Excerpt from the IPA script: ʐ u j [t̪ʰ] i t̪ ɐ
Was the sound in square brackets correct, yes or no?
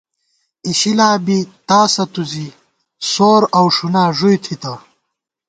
yes